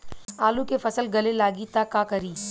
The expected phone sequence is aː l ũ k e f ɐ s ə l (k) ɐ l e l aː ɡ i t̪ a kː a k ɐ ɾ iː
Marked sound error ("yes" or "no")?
yes